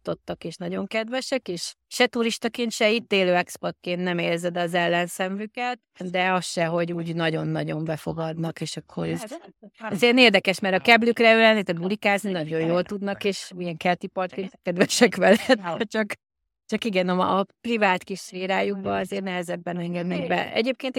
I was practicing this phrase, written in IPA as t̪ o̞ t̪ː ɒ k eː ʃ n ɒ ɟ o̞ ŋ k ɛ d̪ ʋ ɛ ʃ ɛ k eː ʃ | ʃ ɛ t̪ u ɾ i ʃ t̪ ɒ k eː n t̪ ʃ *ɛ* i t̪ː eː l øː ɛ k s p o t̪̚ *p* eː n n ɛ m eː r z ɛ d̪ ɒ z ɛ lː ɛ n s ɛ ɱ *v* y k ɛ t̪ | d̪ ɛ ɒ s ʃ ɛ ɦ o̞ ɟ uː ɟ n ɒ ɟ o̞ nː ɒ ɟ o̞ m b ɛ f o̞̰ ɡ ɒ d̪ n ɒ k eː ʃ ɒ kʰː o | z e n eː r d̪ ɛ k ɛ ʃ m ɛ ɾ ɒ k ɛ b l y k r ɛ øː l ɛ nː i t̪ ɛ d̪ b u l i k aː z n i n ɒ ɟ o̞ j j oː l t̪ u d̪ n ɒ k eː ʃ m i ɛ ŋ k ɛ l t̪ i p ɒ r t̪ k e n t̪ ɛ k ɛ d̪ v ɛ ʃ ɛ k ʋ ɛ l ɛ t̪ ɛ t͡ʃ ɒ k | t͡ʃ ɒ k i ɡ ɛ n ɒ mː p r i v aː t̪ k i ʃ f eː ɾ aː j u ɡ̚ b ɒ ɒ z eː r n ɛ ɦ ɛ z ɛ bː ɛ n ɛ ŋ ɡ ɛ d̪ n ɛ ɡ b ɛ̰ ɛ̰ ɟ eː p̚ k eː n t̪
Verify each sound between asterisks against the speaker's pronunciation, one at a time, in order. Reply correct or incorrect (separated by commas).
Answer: correct, incorrect, correct